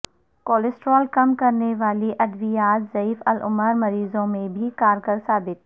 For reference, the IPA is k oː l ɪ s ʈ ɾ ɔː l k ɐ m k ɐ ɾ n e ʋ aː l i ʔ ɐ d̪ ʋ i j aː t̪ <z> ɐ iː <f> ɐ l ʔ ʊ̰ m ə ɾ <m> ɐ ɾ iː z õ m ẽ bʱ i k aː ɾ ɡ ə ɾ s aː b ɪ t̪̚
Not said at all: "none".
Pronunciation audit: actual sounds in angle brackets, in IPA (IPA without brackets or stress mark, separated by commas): z, f, m